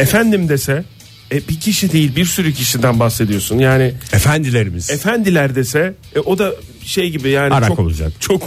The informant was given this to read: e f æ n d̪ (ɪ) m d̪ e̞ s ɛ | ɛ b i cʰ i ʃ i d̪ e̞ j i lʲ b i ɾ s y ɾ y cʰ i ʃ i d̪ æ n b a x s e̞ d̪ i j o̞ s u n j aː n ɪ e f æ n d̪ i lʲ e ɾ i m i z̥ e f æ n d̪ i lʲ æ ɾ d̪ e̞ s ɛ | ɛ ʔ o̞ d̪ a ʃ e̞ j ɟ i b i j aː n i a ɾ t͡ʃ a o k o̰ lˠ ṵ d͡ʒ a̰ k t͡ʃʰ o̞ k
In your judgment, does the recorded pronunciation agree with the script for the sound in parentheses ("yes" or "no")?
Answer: no